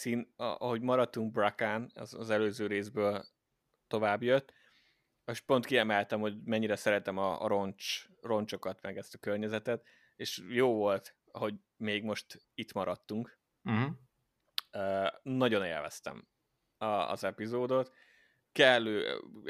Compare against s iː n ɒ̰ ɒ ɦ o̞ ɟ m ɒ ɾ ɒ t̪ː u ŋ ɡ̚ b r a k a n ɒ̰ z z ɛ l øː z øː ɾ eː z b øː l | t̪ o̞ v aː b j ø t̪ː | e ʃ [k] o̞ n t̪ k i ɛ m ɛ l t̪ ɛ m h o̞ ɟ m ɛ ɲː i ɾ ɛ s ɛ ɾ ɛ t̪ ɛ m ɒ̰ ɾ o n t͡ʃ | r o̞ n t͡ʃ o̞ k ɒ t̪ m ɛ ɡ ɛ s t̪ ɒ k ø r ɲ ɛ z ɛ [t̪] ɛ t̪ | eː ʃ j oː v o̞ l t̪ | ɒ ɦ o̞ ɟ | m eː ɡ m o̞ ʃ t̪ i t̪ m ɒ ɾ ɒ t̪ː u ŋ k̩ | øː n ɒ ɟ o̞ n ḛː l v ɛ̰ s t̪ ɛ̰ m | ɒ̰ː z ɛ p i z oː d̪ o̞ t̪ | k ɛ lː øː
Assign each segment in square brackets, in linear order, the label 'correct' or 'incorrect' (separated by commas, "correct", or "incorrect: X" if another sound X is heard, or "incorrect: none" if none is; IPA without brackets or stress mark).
incorrect: p, correct